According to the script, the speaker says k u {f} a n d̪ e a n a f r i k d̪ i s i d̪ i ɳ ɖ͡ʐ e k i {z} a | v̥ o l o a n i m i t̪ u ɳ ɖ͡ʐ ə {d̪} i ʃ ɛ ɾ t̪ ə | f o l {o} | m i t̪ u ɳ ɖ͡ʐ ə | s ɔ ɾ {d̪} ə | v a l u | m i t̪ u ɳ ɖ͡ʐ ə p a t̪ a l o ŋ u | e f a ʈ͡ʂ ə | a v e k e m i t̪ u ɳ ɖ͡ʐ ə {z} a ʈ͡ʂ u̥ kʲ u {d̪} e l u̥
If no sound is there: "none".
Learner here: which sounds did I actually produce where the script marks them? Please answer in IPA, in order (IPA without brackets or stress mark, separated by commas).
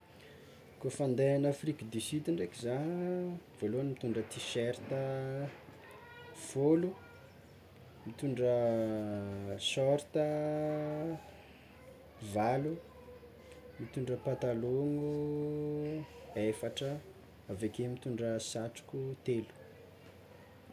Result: f, z, t̪, u, t̪, s, t̪